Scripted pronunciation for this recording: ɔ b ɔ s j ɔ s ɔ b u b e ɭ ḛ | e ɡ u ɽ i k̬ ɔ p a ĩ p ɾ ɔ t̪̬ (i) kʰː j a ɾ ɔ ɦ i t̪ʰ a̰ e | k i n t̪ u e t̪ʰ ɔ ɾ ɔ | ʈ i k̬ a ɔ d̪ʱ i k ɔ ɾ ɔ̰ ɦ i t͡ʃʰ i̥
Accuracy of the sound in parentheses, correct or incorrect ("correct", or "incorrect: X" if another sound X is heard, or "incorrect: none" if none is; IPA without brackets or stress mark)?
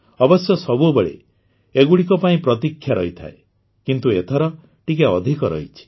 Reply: correct